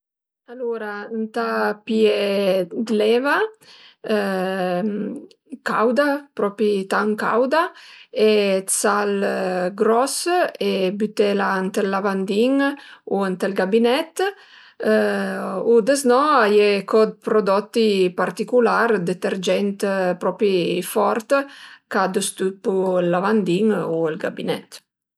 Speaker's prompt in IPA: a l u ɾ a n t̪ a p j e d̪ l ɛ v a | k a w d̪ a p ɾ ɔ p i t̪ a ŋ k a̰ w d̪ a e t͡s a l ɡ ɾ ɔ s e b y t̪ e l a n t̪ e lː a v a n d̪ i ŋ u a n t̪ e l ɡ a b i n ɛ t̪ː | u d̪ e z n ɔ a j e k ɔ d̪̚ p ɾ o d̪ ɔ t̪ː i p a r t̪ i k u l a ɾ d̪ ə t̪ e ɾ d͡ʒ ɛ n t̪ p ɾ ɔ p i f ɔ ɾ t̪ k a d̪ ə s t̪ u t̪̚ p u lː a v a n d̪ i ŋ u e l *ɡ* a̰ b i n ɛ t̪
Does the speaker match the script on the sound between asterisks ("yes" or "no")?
yes